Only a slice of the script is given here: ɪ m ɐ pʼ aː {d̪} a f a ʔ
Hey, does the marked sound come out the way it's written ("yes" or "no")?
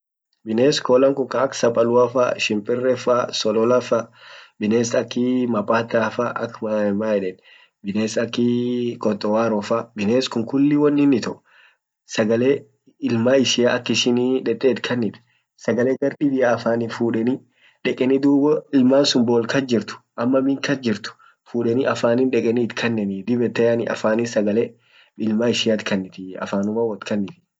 no